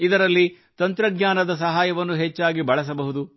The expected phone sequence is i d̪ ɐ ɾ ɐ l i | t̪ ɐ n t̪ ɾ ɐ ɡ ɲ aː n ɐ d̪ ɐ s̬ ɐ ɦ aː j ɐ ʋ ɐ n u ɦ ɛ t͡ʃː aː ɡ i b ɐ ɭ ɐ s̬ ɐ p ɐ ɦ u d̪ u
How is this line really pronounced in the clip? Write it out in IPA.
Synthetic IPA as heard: i d̪ ɐ ɾ ɐ lː i | t̪ ɐ n t̪ ɾ ɐ ɡ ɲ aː n ɐ d̪ ɐ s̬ ɐ ɦ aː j ɐ ʋ ɐ nː u ɦ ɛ t͡ʃː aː ɡ i b ɐ ɭ ɐ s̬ ɐ b ɐ ɦ u d̪ u